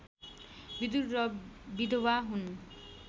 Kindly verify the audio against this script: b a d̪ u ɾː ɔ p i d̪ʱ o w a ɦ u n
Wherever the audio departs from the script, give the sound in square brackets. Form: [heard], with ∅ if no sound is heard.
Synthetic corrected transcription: b [i] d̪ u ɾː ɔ [b] i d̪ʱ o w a ɦ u n